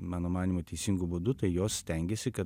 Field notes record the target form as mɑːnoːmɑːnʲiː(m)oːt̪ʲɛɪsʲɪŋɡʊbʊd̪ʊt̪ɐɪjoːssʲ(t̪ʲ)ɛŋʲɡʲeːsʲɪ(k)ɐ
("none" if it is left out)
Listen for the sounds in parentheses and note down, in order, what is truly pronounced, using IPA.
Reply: m, t̪ʲ, k

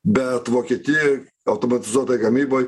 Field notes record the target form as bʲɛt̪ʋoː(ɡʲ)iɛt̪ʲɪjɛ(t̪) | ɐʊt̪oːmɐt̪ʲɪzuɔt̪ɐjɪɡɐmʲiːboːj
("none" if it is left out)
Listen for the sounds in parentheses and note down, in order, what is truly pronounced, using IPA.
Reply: kʲ, none

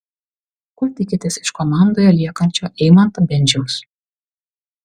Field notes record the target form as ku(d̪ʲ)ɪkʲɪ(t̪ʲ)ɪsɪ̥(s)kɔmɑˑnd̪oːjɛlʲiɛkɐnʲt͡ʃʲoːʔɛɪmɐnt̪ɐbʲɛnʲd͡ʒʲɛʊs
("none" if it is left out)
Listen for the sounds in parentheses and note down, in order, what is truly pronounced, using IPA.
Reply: t̪ʲ, t̪ʲ, ʃ

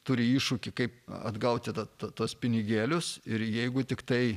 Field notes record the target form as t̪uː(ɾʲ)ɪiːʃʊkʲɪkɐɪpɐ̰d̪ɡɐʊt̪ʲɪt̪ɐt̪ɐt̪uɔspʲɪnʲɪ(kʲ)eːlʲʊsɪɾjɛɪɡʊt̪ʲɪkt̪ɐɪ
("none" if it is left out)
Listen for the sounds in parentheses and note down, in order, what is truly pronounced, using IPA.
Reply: ɾʲ, ɡʲ

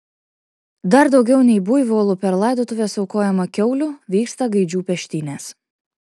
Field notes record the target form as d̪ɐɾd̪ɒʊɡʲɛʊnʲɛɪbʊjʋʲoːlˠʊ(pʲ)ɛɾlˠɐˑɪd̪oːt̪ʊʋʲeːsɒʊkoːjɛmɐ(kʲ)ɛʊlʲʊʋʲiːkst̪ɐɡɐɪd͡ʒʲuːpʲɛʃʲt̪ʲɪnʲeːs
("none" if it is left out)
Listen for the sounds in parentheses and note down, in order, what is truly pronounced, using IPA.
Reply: pʲ, kʲ

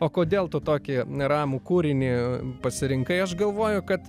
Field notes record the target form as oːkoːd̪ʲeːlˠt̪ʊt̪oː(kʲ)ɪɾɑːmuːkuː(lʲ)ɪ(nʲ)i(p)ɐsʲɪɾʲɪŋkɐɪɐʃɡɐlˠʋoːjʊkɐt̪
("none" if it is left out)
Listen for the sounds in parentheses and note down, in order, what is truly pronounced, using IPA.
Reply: kʲ, ɾʲ, nʲ, p

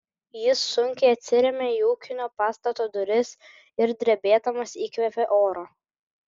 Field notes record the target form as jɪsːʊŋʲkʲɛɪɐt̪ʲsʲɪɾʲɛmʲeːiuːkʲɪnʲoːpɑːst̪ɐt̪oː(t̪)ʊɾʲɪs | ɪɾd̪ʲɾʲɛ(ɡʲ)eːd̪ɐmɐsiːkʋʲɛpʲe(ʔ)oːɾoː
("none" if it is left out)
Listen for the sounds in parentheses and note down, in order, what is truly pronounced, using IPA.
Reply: d̪, bʲ, ʔ

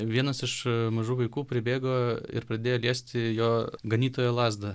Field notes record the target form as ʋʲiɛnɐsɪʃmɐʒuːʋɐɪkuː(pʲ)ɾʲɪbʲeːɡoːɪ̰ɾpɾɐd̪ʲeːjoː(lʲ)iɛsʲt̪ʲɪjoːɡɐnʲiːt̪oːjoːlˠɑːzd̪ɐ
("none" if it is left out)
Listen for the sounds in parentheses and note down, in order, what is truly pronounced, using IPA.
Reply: pʲ, lʲ

